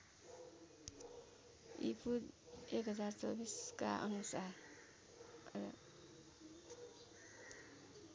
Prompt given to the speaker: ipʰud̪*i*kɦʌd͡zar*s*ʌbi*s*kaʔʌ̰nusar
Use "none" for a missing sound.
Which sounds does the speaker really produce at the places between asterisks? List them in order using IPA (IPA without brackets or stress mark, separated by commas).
e, t͡s, s